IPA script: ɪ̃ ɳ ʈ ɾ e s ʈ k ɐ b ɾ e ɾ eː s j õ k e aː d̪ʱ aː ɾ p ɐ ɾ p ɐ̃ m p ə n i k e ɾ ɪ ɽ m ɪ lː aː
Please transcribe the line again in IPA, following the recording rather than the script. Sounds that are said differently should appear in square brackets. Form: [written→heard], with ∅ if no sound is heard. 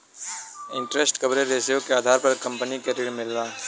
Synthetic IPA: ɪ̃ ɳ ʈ ɾ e s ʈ k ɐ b ɾ e ɾ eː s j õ k e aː d̪ʱ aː ɾ p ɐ ɾ [p→k] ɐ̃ m p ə n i k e ɾ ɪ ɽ m ɪ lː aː